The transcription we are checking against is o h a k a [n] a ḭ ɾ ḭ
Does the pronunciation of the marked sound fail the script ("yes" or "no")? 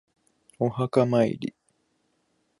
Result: yes